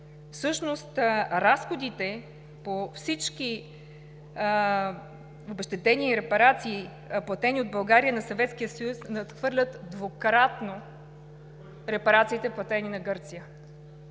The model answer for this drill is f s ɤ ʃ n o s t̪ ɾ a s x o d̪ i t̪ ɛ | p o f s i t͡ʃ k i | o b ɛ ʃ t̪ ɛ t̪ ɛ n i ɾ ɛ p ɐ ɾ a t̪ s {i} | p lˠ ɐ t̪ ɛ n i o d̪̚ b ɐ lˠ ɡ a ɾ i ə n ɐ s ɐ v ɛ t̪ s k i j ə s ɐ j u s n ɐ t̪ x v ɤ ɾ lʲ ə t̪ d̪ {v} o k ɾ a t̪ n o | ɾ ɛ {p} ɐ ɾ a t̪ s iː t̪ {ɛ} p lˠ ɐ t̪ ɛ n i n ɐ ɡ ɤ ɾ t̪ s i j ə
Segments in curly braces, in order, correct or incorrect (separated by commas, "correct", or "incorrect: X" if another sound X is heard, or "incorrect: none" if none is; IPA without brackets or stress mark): incorrect: iː, correct, correct, correct